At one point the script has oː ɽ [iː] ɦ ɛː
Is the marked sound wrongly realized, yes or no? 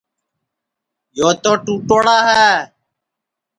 yes